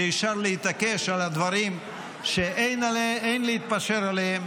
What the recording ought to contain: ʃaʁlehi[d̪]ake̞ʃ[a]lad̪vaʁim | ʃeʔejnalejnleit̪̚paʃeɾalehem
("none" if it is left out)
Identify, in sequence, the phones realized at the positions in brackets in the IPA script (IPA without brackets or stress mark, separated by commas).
t̪, a